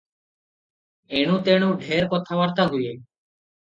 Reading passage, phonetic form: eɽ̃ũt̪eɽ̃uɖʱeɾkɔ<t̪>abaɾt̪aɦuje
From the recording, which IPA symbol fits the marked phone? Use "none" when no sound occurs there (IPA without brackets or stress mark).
t̪ʰ